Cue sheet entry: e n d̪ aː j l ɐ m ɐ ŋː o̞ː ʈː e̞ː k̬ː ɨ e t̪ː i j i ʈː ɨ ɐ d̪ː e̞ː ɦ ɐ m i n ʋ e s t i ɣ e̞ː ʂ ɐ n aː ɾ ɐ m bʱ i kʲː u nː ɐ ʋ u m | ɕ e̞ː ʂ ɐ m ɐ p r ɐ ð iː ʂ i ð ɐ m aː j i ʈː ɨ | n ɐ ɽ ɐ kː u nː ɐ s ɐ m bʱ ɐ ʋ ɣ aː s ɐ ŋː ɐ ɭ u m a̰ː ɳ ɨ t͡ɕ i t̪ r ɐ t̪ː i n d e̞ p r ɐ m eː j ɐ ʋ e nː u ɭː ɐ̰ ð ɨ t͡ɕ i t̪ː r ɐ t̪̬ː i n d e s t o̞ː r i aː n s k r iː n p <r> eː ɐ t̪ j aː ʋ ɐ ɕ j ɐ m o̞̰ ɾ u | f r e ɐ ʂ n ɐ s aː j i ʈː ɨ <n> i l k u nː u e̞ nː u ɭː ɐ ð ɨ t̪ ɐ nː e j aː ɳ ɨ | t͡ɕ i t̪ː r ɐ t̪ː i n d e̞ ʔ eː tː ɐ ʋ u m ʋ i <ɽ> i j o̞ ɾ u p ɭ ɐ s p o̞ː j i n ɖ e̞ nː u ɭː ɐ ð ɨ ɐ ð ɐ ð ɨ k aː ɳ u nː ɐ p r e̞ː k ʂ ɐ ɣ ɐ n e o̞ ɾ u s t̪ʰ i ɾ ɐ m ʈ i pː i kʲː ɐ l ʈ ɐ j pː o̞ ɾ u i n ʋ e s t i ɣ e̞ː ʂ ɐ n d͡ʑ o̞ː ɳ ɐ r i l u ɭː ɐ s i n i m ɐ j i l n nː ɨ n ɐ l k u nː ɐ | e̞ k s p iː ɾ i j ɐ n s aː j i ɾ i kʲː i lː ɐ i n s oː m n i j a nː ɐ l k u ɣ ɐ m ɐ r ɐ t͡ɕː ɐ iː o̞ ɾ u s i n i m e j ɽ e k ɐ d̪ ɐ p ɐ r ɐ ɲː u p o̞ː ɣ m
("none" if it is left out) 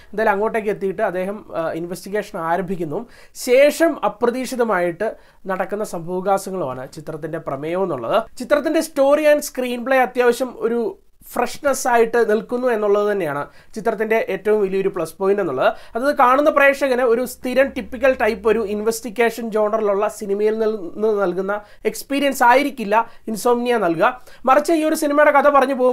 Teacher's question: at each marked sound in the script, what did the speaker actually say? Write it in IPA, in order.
ɭ, n, l

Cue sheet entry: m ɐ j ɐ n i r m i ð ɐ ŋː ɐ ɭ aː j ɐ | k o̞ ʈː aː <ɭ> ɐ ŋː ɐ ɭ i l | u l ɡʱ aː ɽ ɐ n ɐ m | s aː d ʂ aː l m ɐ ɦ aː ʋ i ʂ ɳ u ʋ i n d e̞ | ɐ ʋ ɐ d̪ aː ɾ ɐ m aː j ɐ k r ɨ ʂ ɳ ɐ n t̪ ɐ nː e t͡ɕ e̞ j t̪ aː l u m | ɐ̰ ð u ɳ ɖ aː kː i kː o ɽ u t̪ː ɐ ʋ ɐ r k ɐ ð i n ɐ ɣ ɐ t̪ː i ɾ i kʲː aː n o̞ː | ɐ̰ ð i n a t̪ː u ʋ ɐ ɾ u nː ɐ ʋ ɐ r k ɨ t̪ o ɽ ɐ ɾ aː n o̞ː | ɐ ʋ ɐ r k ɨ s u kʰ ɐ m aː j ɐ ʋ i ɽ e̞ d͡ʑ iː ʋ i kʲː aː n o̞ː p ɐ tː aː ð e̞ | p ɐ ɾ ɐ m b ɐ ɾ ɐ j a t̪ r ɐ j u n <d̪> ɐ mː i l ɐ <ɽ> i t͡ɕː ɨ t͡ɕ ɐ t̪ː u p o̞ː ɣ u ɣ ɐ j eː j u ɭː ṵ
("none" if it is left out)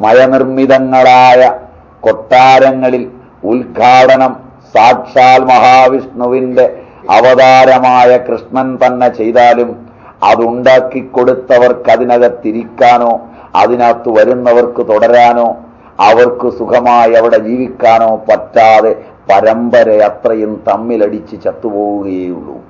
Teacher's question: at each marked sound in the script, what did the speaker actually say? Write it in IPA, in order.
ɾ, t̪, ɽ

